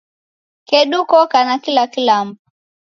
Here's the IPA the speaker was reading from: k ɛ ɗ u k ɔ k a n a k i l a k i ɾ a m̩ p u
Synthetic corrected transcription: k ɛ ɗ u k ɔ k a n a k i l a k i l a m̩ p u

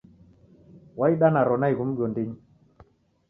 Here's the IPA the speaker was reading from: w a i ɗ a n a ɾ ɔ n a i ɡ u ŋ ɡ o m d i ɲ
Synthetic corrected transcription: w a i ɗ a n a ɾ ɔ n a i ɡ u m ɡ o n d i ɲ

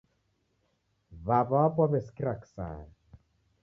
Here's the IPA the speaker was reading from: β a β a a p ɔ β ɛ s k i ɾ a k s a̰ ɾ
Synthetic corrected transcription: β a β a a p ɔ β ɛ s k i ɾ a k s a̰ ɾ

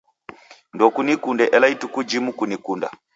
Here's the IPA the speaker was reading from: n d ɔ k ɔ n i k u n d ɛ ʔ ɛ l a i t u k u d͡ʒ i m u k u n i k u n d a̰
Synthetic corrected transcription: n d ɔ k u n i k u n d ɛ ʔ ɛ l a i t u k u d͡ʒ i m u k u n i k u n d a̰

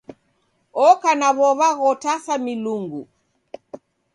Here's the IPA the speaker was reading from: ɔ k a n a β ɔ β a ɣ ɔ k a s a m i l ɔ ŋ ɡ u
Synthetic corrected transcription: ɔ k a n a β ɔ β a ɣ ɔ t a s a m i l u ŋ ɡ u

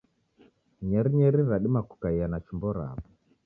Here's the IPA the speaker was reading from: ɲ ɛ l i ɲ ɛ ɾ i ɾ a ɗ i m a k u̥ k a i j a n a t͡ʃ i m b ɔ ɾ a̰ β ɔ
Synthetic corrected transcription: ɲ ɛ ɾ i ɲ ɛ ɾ i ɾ a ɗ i m a k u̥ k a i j a n a t͡ʃ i m b ɔ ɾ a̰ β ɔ

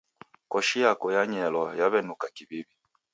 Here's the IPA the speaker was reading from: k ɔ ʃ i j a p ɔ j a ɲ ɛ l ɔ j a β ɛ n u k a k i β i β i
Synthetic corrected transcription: k ɔ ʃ i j a k ɔ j a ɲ ɛ l ɔ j a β ɛ n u k a k i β i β i

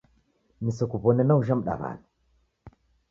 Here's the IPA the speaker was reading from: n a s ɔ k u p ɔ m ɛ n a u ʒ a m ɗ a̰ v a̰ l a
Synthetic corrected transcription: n i s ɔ k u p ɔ n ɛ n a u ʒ a m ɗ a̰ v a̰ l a

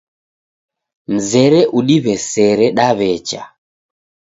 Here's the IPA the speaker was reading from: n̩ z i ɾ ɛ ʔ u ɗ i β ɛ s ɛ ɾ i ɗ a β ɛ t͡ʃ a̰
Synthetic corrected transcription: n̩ z ɛ ɾ ɛ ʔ u ɗ i β ɛ s ɛ ɾ ɛ ɗ a β ɛ t͡ʃ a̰

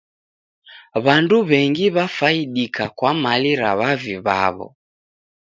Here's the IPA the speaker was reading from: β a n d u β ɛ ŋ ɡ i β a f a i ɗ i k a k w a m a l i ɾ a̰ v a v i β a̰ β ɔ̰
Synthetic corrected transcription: β a n d u β ɛ ŋ ɡ i β a f a i ɗ i k a k w a m a l i ɾ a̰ β a v i β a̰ β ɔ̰

